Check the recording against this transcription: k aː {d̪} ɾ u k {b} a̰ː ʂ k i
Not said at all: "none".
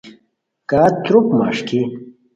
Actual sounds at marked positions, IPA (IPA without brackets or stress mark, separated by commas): t̪, m